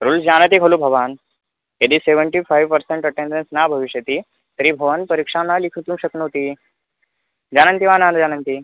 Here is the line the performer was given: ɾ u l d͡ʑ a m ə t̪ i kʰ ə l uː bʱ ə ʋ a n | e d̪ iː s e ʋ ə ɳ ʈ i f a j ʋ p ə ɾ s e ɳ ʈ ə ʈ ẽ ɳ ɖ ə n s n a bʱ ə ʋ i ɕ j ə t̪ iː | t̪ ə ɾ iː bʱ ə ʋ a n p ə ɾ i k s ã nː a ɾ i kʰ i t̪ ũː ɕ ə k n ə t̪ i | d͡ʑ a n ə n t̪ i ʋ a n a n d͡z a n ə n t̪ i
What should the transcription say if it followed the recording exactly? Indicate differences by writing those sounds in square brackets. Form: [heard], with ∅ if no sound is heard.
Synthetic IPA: ɾ u l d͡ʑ a [n] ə t̪ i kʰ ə l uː bʱ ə ʋ a n | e d̪ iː s e ʋ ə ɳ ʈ i f a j ʋ p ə ɾ s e ɳ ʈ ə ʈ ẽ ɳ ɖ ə n s n a bʱ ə ʋ i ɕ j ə t̪ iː | t̪ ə ɾ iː bʱ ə ʋ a n p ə ɾ i k [ʂ] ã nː a [l] i kʰ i t̪ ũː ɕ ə k n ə t̪ i | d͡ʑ a n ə n t̪ i ʋ a n a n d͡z a n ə n t̪ i